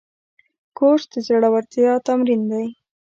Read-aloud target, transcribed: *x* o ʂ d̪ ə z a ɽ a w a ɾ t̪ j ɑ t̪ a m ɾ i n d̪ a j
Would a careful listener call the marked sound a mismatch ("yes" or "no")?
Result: yes